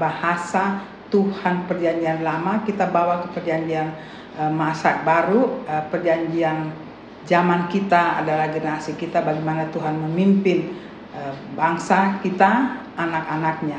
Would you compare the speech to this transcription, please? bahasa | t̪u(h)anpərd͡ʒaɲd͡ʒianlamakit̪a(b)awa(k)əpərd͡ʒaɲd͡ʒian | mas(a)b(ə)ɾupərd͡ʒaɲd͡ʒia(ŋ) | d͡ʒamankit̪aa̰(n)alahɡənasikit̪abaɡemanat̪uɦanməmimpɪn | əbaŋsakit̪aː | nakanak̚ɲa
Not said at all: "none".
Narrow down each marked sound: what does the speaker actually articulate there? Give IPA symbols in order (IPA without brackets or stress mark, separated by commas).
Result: h, b, k, a, a, n, d